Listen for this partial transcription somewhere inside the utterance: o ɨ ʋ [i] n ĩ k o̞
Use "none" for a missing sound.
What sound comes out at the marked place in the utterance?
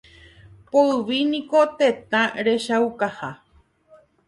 i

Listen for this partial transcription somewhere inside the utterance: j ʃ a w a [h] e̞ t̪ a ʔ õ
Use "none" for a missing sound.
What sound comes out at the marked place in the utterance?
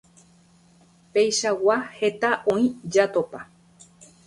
h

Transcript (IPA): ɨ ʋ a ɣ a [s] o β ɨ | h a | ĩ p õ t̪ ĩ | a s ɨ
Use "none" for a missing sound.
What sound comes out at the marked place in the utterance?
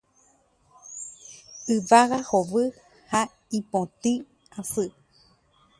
h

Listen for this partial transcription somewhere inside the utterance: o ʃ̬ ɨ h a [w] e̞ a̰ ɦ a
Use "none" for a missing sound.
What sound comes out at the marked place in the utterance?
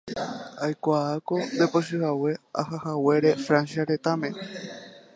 w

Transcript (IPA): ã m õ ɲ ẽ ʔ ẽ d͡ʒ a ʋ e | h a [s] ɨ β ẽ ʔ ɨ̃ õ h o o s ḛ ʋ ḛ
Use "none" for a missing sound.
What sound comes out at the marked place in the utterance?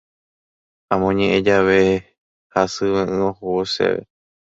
s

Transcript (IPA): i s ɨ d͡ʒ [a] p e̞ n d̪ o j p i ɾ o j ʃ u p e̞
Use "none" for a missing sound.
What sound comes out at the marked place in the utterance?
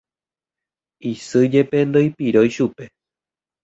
e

